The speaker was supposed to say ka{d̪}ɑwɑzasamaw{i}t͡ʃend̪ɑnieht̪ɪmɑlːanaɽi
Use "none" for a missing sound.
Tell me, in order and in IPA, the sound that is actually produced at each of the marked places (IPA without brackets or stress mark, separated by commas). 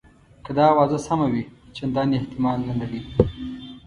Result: d̪, i